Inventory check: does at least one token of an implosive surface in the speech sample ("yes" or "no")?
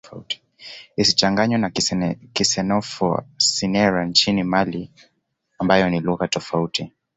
no